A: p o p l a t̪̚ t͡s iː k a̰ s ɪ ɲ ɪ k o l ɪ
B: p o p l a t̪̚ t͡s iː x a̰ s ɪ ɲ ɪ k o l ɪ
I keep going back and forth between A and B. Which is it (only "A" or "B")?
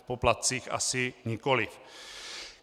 B